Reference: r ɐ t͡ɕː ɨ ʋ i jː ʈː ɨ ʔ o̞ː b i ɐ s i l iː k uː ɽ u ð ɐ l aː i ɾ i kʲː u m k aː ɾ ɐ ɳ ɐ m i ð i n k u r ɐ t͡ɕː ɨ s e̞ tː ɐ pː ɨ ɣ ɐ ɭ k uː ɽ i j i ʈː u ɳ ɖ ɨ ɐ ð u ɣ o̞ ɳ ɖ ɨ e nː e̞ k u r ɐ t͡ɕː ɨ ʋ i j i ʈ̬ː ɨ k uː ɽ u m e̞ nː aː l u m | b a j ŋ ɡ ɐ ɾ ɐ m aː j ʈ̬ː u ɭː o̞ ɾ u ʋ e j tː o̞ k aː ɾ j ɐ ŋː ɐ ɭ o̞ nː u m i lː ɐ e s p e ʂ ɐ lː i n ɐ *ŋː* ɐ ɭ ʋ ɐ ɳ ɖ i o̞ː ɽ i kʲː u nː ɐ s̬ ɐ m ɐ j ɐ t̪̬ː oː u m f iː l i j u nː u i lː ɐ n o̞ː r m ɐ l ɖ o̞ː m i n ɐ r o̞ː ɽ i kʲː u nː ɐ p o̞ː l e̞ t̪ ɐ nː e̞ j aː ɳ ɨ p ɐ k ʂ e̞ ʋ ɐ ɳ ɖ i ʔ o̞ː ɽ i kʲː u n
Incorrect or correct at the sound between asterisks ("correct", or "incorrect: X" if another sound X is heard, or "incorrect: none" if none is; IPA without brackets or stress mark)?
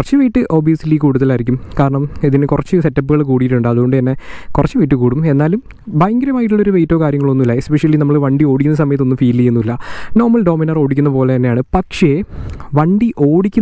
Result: incorrect: mː